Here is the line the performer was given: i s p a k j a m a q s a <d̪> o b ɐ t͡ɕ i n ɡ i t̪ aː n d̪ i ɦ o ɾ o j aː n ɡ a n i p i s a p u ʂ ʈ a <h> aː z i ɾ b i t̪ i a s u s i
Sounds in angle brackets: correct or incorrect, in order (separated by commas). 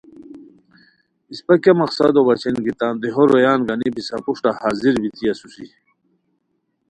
correct, correct